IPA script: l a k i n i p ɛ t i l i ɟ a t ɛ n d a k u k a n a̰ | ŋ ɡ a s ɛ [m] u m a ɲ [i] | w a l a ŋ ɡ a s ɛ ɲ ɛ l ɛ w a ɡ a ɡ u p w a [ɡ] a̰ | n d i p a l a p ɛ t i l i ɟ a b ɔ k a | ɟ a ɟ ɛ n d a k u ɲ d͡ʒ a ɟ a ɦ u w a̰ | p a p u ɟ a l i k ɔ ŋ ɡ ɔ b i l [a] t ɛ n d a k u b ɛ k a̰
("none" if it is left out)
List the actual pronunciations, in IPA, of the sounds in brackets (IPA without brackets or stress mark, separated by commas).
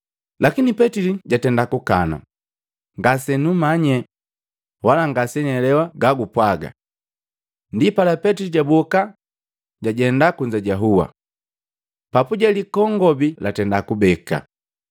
n, ɛ, ɡ, a